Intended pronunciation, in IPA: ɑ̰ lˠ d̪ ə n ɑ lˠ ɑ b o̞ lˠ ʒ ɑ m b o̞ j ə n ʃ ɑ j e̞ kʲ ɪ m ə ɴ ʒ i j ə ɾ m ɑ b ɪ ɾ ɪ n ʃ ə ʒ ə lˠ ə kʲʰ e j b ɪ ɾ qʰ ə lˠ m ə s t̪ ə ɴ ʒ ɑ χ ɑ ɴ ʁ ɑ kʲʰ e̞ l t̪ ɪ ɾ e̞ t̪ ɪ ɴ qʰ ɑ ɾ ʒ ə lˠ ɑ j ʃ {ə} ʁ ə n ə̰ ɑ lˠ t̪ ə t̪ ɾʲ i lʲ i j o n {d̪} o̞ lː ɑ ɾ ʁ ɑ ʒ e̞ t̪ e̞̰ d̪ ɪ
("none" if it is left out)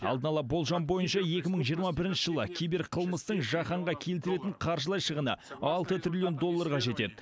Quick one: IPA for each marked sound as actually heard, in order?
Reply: ə, d̪

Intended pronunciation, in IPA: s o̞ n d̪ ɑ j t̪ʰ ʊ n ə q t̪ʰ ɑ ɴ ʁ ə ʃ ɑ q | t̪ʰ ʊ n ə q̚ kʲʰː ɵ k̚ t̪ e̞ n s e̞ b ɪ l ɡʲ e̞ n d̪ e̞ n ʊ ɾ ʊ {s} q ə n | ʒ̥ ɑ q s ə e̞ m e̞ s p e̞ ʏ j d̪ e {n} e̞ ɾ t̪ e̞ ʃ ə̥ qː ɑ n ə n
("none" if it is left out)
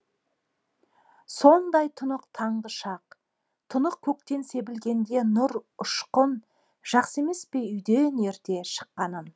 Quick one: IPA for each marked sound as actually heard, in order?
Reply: ʃ, n

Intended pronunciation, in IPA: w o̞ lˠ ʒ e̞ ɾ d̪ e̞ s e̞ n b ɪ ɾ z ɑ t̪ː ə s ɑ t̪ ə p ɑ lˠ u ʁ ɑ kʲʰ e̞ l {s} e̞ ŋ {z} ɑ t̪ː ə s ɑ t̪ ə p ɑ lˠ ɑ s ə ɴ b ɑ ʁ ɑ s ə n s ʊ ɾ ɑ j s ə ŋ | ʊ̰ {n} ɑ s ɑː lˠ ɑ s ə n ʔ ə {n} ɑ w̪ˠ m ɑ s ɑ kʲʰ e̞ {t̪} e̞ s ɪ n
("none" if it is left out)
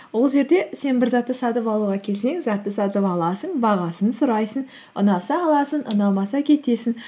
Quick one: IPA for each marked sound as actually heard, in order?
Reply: s, z, n, n, t̪

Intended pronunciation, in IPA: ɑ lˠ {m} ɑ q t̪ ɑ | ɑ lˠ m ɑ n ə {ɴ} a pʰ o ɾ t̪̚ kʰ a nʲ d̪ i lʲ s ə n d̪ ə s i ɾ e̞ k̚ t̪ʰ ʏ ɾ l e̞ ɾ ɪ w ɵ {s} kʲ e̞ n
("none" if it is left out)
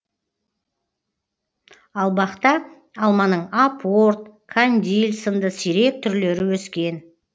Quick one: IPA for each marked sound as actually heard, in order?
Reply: b, ɴ, s

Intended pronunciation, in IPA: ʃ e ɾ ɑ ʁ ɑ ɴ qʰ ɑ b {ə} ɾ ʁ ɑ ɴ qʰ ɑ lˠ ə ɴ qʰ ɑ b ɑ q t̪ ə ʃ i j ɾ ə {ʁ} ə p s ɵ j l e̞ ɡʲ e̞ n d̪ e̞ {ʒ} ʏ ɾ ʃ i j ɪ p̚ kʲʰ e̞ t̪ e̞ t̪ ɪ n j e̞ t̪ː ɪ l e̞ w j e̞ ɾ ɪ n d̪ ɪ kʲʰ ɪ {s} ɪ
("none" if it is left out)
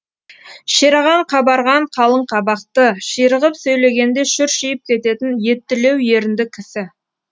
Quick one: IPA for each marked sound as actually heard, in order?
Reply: ɑ, ʁ, ʃ, s

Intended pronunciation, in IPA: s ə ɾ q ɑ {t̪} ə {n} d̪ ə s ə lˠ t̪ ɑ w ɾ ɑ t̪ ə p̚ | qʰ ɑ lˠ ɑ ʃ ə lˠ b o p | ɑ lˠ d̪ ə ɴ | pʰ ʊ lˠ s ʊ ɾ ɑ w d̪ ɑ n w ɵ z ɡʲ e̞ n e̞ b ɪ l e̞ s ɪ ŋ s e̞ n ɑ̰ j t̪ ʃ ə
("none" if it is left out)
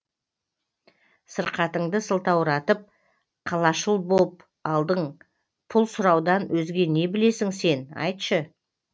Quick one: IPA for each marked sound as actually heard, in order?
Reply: t̪, ɴ

